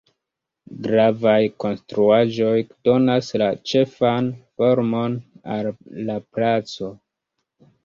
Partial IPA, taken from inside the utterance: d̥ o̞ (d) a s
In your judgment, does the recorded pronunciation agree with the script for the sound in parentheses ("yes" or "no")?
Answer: no